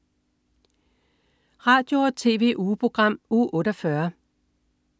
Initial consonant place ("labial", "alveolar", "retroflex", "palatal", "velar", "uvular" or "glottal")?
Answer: uvular